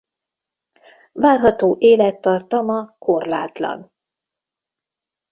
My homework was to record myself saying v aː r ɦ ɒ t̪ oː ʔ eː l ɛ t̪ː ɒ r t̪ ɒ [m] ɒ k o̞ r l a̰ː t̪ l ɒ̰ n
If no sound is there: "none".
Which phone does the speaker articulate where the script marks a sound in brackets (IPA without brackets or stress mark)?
m